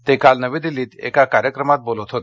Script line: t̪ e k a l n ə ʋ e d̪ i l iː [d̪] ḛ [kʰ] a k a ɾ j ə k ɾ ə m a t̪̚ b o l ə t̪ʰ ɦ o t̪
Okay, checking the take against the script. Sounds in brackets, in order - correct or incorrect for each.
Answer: incorrect: t̪, incorrect: k

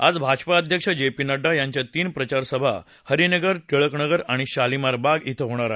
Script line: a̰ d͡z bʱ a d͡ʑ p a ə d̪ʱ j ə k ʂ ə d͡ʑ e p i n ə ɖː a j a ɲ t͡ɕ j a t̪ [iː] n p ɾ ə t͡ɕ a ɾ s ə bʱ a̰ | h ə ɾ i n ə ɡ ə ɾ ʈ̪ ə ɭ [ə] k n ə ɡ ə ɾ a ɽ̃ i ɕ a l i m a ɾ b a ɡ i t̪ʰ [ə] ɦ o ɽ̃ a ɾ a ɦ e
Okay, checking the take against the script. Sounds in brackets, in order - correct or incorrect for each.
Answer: correct, correct, correct

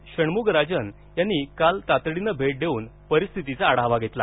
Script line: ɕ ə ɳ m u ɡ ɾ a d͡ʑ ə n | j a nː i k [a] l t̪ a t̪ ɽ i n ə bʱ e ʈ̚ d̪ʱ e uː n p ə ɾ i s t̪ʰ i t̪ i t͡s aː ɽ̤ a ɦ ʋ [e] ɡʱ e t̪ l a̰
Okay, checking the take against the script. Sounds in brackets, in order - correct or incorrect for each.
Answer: correct, incorrect: a

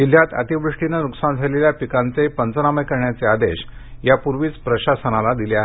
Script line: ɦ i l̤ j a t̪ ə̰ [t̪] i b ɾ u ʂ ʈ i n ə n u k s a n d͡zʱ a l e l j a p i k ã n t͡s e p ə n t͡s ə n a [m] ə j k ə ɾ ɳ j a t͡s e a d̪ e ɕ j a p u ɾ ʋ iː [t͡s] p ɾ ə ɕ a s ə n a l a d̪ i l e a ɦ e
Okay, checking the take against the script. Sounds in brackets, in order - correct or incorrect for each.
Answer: correct, correct, correct

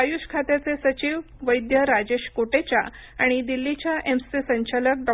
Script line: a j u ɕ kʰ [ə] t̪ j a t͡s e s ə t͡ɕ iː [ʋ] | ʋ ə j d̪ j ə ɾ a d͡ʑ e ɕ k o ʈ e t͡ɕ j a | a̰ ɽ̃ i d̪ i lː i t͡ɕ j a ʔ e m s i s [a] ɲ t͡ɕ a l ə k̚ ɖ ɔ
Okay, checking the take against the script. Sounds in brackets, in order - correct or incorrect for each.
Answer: incorrect: a, correct, incorrect: ə

